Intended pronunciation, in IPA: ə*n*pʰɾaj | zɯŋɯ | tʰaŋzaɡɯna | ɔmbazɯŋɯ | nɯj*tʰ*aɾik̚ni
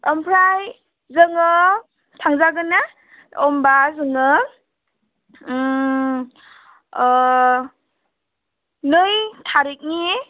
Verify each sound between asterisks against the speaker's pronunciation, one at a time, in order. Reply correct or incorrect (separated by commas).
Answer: incorrect, correct